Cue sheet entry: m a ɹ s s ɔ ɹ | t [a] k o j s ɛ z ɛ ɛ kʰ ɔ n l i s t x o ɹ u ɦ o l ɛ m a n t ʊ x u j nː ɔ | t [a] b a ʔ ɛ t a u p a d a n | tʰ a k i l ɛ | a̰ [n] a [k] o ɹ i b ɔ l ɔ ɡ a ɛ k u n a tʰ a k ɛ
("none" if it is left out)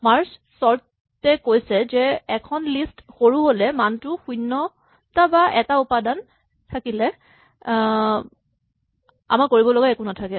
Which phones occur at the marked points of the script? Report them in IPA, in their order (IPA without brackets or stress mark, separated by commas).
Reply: ɛ, a, m, k